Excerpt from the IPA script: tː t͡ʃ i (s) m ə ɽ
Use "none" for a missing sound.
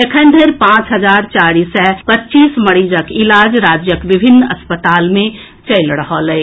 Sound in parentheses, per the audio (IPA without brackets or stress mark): s